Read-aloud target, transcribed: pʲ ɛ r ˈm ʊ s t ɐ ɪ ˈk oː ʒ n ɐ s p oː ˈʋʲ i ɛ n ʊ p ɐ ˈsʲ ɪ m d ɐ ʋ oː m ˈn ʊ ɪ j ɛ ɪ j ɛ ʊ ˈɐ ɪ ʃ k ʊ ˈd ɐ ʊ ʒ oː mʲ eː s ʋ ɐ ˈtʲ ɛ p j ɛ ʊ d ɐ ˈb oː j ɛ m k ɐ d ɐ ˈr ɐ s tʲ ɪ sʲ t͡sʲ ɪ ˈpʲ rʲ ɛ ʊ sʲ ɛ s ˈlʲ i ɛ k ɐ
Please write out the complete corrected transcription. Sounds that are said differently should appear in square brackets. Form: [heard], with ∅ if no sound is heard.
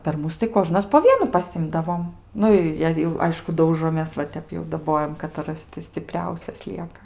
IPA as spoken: pʲ ɛ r ˈm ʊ s t ɐ ɪ ˈk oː ʒ n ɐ s p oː ˈʋʲ i ɛ n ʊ p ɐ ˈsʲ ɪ m d ɐ ʋ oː m ˈn ʊ ɪ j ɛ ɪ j ɛ ʊ ˈɐ ɪ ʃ k ʊ ˈd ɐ ʊ ʒ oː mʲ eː s ʋ ɐ ˈtʲ ɛ p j ɛ ʊ d ɐ ˈb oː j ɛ m k ɐ [t] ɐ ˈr ɐ s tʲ ɪ sʲ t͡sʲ ɪ ˈpʲ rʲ ɛ ʊ sʲ ɛ s ˈlʲ i ɛ k ɐ